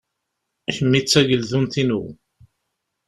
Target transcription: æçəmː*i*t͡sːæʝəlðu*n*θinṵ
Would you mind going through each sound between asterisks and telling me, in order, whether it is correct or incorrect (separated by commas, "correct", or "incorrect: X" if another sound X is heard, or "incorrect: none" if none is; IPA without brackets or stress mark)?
correct, correct